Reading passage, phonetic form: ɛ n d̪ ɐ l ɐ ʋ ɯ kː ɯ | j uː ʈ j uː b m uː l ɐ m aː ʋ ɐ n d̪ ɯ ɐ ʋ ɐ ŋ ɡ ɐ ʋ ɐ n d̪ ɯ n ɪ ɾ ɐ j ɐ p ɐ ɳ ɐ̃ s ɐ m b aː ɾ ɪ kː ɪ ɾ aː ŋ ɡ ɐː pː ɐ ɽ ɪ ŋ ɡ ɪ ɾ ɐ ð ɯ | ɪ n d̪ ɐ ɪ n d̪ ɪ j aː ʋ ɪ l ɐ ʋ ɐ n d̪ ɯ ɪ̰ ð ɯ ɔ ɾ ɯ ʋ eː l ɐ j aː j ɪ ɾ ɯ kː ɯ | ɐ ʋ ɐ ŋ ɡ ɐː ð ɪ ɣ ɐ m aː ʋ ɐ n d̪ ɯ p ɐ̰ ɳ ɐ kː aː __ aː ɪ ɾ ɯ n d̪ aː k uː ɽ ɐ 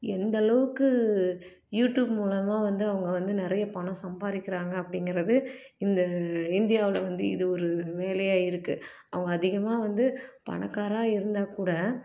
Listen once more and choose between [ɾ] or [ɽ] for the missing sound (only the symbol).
ɾ